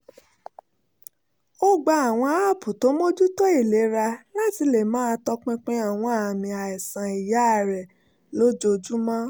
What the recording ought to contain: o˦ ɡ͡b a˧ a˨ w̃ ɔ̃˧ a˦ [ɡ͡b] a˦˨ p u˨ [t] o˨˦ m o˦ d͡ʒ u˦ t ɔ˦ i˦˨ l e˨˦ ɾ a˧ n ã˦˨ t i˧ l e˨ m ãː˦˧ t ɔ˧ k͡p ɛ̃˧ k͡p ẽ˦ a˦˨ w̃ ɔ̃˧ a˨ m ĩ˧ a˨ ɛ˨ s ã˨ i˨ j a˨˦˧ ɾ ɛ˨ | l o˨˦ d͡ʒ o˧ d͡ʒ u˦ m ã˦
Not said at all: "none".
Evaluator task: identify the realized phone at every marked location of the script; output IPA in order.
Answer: none, t

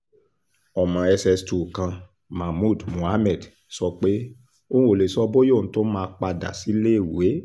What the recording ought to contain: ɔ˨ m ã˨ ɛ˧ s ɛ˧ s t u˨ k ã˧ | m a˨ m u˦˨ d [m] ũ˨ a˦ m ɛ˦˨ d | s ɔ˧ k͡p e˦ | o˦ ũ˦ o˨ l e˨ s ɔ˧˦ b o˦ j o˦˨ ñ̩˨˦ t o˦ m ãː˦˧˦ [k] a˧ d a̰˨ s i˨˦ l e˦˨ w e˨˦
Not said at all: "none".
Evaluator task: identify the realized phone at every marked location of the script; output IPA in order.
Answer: m, k͡p

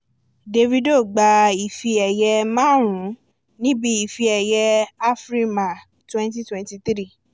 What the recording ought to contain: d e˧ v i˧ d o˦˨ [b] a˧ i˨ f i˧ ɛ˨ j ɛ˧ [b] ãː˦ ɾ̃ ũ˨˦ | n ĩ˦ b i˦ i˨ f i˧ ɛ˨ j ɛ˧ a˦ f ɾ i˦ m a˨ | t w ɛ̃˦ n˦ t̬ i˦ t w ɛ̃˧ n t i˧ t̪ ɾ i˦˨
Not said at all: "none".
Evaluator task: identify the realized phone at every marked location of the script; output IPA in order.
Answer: ɡ͡b, m

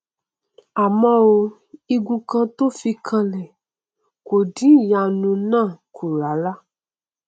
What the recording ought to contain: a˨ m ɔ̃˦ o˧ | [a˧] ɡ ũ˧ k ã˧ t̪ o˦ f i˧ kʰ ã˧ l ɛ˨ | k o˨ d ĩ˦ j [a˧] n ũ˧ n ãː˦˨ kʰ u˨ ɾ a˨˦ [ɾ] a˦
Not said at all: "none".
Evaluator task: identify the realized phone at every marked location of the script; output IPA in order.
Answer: i˧, a˧, l

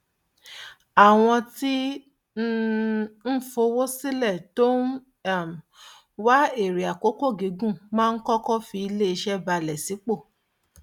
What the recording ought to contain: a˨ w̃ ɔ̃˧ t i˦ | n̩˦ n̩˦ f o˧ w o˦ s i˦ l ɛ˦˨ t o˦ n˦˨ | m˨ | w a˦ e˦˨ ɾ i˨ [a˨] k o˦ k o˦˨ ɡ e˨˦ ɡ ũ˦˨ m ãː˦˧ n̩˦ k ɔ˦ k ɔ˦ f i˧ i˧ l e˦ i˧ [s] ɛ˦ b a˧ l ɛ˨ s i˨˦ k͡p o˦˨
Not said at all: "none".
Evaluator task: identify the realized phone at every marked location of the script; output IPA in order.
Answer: a˨, ʃ

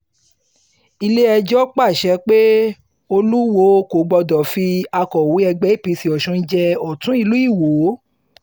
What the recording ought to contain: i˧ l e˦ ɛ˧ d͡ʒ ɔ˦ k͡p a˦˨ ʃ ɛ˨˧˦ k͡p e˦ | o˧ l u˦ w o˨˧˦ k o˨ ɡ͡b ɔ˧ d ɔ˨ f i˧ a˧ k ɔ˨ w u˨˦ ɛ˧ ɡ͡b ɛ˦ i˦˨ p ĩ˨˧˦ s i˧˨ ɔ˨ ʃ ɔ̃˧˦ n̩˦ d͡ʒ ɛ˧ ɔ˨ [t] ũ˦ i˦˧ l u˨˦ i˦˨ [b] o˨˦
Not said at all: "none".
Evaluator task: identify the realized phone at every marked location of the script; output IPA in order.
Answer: t, w

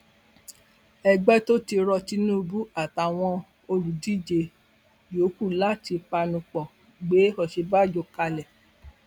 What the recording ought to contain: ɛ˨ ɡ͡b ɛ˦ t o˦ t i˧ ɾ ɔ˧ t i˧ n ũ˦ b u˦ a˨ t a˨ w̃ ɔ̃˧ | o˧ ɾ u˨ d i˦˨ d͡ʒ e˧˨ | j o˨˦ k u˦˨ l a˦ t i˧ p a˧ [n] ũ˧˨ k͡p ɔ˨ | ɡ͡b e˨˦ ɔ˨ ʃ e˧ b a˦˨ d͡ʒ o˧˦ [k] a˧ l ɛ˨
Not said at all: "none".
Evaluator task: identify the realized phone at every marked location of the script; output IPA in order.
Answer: n, k

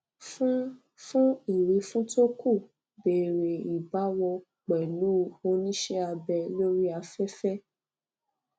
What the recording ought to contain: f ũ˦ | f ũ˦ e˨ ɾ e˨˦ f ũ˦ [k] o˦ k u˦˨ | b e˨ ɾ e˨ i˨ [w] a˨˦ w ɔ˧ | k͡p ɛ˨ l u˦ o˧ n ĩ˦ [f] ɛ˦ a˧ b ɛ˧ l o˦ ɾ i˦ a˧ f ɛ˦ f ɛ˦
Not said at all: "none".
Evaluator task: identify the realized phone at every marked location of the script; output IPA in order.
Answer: t, b, ʃ

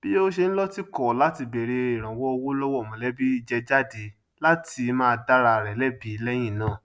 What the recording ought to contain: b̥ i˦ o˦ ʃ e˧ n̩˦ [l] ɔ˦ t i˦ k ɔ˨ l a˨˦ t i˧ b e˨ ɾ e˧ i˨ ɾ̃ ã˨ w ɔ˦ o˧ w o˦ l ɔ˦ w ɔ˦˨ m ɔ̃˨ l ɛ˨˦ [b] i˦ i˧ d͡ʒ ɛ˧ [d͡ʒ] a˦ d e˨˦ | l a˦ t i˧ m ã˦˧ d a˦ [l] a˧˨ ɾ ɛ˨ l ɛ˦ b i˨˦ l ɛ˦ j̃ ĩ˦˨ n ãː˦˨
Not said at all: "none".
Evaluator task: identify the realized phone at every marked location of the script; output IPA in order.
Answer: l, b, d͡ʒ, ɾ

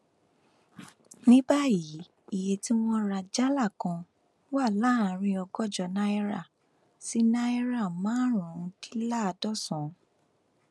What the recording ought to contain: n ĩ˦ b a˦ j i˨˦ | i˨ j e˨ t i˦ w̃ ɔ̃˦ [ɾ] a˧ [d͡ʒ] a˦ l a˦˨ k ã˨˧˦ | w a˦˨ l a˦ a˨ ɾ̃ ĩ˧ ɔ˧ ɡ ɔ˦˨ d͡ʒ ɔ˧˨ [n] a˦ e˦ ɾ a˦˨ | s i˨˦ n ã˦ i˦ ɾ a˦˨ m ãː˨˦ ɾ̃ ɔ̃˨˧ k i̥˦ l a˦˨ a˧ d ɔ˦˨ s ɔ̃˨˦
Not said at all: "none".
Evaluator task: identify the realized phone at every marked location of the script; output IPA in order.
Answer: ɾ, d͡ʒ, n

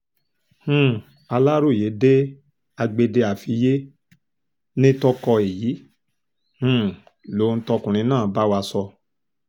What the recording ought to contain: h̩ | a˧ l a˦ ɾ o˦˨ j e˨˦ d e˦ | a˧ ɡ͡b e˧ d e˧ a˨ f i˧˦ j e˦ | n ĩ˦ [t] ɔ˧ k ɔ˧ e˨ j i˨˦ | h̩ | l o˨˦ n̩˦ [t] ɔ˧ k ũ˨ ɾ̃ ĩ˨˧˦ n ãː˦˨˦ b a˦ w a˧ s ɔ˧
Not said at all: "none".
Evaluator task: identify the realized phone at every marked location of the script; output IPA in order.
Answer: t, t

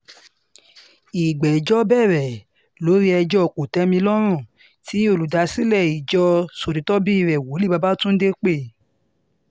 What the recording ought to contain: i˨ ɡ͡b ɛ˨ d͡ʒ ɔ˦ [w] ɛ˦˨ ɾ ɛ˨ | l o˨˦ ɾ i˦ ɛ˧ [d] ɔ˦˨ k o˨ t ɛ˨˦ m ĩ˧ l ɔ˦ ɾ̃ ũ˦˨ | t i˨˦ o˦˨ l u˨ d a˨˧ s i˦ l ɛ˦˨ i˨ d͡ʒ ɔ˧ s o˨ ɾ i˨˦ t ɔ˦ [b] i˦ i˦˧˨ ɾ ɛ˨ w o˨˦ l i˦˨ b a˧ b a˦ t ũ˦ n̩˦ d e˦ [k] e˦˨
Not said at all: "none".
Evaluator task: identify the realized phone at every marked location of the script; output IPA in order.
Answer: b, d͡ʒ, b, k͡p

